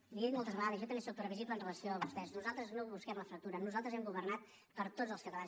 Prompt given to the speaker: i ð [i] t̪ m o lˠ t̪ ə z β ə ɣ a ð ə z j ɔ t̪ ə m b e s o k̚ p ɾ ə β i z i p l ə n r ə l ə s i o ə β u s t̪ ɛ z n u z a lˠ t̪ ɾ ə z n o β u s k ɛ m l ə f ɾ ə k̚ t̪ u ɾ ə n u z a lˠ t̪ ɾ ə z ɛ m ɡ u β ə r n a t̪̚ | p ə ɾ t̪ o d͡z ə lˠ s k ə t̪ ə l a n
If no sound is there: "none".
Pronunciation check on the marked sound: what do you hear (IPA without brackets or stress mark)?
i